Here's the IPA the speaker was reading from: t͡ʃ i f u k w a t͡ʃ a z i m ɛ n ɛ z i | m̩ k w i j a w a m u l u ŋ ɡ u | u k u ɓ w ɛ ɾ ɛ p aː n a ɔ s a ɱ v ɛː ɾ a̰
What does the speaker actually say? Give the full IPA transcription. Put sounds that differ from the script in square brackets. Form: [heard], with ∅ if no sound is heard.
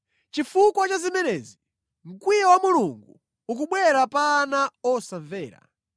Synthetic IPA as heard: t͡ʃ i f u k w a t͡ʃ a z i m ɛ n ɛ z i | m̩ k w i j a w a m u l u ŋ ɡ u | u k u ɓ w ɛ ɾ [a] p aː n a ɔ s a ɱ v ɛː ɾ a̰